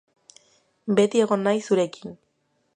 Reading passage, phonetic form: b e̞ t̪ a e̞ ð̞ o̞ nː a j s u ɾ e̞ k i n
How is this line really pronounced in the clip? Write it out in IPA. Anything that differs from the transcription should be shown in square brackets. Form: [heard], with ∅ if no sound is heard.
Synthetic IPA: b e̞ t̪ [i] e̞ [ɣ̞] o̞ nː a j s u ɾ e̞ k i n